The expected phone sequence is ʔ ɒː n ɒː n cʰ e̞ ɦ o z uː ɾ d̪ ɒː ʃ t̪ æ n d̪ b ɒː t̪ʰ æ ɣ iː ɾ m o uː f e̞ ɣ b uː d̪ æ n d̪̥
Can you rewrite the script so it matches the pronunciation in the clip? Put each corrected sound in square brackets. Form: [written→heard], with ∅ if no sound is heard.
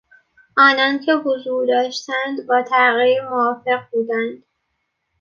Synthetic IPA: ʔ ɒː n ɒː n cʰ e̞ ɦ o z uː ɾ d̪ ɒː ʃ t̪ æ n d̪ b ɒː t̪ʰ æ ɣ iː ɾ m o [uː→ɒː] f e̞ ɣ b uː d̪ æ n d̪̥